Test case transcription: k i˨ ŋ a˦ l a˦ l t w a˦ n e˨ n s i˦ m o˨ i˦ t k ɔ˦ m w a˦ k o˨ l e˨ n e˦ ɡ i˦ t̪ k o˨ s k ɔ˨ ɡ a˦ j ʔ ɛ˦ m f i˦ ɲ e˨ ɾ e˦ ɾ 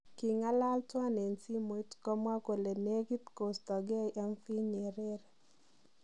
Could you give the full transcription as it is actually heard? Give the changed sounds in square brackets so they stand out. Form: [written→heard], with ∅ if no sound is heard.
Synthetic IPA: k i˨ ŋ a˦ l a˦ l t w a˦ n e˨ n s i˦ m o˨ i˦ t k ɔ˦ m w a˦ k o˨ l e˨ n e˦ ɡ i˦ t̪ k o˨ s [k→t] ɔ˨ ɡ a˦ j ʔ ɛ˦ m f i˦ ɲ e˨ ɾ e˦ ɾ